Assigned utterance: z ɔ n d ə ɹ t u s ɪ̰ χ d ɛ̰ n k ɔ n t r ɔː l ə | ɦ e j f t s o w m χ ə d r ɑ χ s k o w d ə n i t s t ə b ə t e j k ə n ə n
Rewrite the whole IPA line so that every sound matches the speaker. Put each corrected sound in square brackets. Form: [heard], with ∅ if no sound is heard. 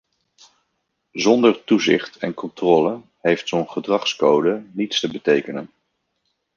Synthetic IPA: z ɔ n d ə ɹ t u [z] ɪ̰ χ [t] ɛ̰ n k ɔ n t r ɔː l ə | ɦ e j f t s o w [n] χ ə d r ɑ χ s k o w d ə n i t s t ə b ə t e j k ə n ə n